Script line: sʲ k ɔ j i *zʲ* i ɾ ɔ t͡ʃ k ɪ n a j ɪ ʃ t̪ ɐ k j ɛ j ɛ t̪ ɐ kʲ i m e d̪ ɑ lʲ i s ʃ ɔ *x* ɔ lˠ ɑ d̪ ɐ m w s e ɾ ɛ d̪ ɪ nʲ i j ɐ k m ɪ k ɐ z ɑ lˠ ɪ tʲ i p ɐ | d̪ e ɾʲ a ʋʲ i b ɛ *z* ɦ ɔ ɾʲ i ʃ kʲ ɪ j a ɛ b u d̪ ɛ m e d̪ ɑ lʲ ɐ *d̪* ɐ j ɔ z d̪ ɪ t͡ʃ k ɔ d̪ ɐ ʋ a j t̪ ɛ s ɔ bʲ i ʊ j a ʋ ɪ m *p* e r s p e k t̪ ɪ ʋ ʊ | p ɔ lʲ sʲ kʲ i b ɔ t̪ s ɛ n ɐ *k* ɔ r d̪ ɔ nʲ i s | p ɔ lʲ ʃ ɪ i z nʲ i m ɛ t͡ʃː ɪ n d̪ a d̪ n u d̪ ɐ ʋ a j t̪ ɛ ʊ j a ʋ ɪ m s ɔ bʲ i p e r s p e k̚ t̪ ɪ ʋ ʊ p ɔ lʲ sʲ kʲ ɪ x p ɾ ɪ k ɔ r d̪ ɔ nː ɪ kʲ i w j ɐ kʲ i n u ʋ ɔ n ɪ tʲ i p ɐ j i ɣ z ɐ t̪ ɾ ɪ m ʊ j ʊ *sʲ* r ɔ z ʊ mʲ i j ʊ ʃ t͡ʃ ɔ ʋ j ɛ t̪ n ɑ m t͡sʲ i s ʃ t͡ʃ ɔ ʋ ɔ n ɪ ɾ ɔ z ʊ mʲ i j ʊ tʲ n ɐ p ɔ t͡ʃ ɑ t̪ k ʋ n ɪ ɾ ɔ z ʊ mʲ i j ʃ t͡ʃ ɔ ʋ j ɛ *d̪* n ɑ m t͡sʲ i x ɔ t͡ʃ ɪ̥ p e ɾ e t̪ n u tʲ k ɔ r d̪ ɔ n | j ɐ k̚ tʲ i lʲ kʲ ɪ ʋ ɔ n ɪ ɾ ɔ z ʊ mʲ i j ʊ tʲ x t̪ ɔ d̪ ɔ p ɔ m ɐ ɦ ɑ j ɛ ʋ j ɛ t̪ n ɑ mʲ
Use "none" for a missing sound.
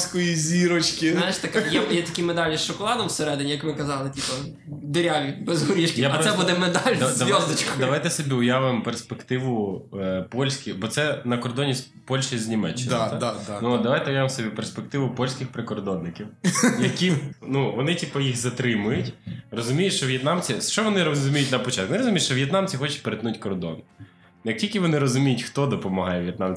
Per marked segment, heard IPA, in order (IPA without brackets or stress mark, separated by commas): zʲ, k, z, d̪, p, k, tʲ, t̪